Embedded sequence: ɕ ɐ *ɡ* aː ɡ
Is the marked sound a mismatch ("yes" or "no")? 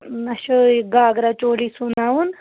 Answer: no